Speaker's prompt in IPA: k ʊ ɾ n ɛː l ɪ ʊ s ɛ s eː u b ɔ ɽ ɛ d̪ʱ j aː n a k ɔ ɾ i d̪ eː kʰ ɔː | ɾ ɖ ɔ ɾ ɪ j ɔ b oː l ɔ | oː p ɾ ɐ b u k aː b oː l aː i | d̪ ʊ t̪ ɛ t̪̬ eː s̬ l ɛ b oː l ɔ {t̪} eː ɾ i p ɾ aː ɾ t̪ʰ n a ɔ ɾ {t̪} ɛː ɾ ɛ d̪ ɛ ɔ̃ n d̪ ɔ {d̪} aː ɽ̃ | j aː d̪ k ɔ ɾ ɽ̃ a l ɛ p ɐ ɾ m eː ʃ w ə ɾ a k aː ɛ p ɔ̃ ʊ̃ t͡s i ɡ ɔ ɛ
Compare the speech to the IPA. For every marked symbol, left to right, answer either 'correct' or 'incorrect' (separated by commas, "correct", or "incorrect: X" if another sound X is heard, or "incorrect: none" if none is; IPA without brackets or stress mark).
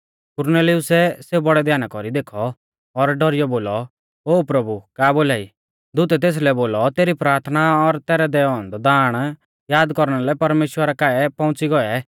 correct, correct, correct